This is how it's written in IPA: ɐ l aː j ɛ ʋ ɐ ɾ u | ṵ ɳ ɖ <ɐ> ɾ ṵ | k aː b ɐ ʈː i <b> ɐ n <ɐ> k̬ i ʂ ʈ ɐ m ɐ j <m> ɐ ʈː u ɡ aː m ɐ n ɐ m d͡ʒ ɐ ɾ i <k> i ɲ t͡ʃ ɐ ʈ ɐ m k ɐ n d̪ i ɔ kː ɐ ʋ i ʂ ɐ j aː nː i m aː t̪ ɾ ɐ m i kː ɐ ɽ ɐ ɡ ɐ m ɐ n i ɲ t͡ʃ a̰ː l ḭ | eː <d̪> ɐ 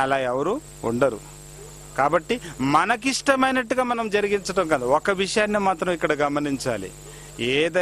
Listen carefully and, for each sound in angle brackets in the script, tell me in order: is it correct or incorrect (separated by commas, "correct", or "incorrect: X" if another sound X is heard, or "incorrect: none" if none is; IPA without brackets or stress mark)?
correct, incorrect: m, correct, incorrect: n, incorrect: ɡ, correct